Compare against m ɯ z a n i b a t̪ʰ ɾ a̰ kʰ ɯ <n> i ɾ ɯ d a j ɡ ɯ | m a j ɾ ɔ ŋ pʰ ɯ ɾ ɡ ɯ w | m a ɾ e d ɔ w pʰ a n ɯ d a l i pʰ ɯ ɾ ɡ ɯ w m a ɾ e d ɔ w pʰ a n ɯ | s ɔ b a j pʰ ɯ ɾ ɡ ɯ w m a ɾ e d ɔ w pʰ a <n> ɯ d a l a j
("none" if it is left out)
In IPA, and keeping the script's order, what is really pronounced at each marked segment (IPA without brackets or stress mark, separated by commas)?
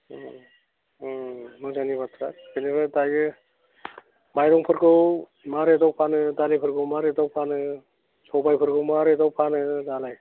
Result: n, n